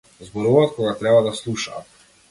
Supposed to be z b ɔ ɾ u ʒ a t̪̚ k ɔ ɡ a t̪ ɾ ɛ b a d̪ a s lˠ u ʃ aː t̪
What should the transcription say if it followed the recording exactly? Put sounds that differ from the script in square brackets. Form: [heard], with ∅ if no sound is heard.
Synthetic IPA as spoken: z b ɔ ɾ u [v] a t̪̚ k ɔ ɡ a t̪ ɾ ɛ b a d̪ a s lˠ u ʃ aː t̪